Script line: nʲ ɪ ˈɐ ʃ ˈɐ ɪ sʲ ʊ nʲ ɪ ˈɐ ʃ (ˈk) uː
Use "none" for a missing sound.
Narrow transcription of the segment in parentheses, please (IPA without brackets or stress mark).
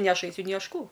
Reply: k